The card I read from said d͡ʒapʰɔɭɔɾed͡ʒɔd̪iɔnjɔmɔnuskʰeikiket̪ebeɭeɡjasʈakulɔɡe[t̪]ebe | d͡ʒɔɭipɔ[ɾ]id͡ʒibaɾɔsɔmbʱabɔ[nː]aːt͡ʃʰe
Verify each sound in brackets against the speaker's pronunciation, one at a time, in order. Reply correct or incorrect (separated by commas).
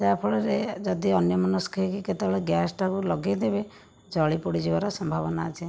incorrect, incorrect, incorrect